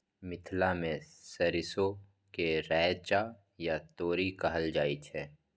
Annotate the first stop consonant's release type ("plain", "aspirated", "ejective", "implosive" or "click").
aspirated